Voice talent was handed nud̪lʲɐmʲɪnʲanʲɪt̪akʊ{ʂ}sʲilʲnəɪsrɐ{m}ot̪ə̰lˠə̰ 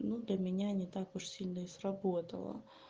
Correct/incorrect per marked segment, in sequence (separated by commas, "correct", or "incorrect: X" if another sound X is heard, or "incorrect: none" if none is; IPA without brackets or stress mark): correct, incorrect: b